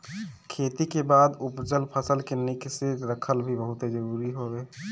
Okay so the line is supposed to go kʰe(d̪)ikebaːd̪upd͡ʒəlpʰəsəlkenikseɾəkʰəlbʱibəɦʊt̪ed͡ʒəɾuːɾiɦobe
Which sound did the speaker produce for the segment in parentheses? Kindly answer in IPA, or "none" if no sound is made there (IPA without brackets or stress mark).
t̪